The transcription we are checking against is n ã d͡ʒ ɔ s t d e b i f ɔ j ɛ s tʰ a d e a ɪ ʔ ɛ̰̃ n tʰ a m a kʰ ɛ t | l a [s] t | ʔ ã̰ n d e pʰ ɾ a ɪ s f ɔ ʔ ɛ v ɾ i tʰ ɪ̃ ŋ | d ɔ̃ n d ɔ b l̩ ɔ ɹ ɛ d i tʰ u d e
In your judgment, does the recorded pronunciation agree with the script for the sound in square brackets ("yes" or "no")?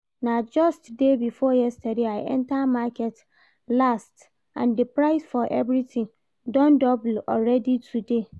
yes